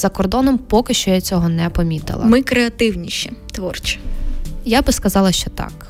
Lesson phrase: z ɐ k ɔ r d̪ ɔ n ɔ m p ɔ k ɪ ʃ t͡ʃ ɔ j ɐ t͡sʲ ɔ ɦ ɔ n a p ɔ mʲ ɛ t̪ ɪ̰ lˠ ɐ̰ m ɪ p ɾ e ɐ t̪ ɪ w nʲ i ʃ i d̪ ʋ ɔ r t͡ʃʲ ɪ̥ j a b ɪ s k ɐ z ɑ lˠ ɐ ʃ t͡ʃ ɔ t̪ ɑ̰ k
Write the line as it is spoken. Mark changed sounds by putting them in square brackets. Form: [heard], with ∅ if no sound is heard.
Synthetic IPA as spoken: z ɐ k ɔ r d̪ ɔ n ɔ m p ɔ k ɪ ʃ t͡ʃ ɔ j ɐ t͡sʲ ɔ ɦ ɔ n [ɛ] p ɔ mʲ [i] t̪ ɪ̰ lˠ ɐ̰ m ɪ [k] ɾ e ɐ t̪ ɪ w nʲ i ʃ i [t̪] ʋ ɔ r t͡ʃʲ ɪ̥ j a b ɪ s k ɐ z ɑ lˠ ɐ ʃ t͡ʃ ɔ t̪ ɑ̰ k